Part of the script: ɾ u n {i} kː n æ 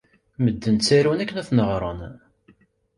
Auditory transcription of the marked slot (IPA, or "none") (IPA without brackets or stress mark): æ